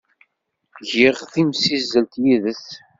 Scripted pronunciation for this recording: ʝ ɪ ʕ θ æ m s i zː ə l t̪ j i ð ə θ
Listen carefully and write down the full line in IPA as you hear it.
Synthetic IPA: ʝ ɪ ʁ θ i m s i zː ə l t̪ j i ð ə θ